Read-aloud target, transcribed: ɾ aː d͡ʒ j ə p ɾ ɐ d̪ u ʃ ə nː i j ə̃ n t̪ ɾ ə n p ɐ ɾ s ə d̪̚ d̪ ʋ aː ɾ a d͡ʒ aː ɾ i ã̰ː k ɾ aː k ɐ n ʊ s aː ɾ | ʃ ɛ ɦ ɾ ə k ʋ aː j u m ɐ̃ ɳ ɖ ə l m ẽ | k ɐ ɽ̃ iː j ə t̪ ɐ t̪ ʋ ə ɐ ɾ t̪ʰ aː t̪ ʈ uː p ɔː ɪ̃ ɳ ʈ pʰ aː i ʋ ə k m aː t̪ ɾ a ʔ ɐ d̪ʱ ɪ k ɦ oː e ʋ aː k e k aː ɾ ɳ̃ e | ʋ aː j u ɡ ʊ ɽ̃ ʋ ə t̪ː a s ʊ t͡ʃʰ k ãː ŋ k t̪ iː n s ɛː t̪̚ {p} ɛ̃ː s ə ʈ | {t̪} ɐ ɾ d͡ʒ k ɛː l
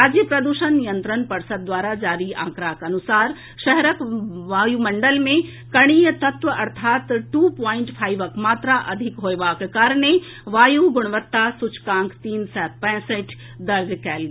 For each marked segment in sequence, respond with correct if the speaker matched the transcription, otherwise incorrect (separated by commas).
correct, incorrect